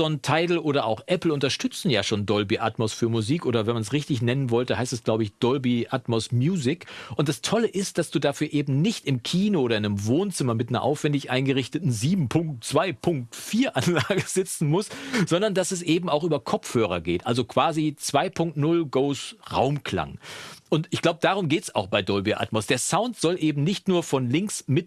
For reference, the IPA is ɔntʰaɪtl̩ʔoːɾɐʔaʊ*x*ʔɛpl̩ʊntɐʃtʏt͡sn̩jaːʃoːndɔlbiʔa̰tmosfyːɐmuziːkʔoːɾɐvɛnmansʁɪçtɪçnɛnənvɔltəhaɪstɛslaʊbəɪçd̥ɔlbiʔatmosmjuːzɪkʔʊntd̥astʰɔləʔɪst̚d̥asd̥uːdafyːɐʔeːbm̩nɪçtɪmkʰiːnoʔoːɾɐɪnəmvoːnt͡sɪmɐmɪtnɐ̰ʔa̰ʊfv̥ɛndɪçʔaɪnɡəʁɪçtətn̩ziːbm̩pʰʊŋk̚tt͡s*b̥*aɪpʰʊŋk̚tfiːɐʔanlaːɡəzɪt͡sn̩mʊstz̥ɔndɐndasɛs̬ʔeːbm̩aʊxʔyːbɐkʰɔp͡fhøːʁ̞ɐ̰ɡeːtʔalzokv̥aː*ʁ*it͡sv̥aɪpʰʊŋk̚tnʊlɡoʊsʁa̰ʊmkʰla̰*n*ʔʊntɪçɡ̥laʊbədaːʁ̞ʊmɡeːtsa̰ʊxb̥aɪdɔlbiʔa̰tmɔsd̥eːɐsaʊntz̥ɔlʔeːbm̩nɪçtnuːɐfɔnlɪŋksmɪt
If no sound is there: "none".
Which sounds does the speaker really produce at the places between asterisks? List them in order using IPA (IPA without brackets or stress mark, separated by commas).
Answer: x, v̥, z, ŋ